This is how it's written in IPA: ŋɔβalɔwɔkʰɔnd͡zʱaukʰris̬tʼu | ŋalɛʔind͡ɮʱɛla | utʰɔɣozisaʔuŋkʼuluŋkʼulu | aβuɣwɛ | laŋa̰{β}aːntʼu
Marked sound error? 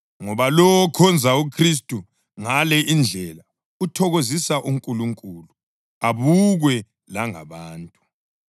no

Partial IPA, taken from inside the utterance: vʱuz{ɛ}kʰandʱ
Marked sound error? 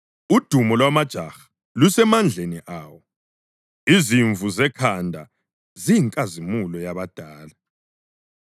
no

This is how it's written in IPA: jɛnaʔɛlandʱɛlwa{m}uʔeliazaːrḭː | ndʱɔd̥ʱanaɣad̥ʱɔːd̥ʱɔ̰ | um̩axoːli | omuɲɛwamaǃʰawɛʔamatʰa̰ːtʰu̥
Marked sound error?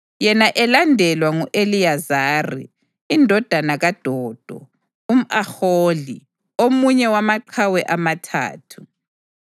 yes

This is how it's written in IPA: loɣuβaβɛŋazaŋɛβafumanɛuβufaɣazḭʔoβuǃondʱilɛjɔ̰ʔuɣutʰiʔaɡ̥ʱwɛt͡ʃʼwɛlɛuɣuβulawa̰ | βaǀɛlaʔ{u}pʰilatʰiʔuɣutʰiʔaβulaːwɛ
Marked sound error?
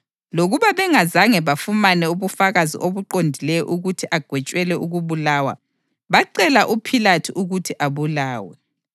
no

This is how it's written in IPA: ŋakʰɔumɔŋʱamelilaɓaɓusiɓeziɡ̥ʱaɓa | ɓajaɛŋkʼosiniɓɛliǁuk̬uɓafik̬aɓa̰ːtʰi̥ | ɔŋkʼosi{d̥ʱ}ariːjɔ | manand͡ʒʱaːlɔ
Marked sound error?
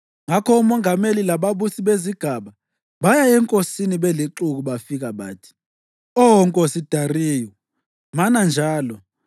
no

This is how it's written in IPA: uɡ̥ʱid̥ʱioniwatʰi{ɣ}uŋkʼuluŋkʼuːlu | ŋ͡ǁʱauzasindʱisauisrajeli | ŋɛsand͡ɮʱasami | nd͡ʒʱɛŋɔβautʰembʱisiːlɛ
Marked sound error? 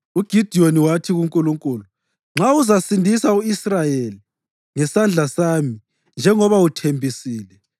no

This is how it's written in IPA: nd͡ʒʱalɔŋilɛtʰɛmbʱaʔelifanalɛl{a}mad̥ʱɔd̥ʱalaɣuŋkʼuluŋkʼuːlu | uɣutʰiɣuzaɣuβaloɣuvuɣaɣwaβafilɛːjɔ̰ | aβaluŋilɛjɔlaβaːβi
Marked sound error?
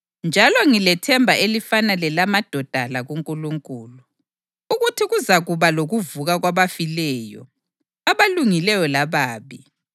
no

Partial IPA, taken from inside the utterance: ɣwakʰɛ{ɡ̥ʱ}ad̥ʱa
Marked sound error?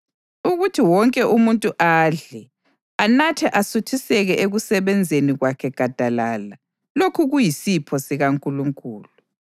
no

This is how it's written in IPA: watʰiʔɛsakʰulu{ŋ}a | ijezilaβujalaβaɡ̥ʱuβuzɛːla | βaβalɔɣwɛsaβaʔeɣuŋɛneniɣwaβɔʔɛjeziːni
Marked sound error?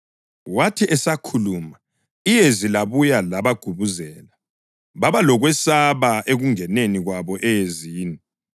yes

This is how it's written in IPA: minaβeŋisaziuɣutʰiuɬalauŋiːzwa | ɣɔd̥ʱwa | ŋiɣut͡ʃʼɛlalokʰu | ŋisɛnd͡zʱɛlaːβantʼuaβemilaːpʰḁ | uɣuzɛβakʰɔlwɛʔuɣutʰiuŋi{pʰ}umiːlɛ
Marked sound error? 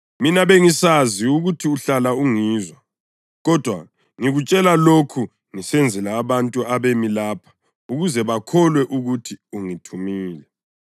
yes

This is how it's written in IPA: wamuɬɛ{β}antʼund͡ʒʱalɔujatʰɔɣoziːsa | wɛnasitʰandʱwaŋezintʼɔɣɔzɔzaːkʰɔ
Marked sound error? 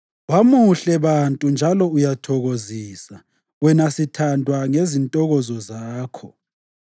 no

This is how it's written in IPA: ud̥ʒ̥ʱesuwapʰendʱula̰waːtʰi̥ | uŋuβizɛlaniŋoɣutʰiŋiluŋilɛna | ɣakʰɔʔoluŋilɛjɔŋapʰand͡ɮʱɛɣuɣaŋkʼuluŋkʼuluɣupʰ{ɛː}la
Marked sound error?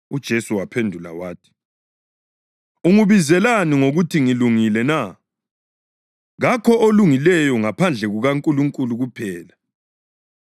no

